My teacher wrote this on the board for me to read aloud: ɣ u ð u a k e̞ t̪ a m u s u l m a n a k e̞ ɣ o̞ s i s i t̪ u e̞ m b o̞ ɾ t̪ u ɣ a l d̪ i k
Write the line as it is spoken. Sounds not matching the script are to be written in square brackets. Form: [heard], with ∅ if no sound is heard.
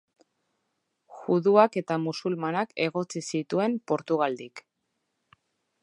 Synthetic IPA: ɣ u ð u a k e̞ t̪ a m u s u l m a n a k e̞ ɣ o̞ [t͡s] i s i t̪ u e̞ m [p] o̞ ɾ t̪ u ɣ a l d̪ i k